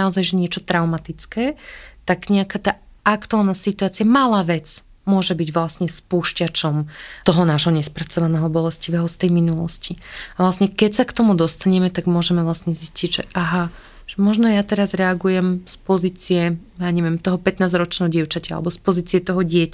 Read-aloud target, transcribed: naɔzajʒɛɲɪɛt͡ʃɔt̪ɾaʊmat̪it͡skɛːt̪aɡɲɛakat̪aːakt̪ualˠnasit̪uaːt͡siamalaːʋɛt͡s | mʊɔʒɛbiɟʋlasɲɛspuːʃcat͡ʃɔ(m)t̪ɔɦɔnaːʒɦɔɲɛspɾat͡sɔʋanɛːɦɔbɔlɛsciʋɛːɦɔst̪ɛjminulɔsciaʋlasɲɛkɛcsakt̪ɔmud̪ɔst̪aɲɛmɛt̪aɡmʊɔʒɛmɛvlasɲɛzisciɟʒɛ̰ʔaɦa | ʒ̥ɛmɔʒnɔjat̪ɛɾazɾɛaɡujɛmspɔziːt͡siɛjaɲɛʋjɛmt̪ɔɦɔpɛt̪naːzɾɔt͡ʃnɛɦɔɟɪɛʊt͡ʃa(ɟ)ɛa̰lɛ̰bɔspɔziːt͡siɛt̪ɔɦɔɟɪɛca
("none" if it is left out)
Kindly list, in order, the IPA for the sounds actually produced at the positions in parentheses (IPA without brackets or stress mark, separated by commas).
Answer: m, c